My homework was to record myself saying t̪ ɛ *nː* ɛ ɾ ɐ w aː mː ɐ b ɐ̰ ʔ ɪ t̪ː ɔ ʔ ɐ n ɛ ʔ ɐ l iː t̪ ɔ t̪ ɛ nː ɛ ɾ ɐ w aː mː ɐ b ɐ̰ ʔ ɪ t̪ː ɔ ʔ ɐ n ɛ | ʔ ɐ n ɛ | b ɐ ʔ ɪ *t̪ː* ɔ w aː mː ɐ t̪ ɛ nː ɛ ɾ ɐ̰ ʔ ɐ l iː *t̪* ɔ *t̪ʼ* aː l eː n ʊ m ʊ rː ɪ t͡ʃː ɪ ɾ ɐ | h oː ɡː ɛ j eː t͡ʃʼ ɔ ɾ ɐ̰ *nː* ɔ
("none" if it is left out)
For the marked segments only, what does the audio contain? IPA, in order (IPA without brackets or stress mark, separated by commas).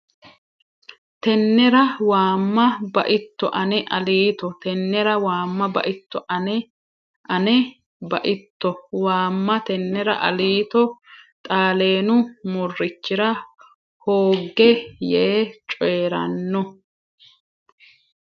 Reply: nː, t̪ː, t̪, t̪ʼ, nː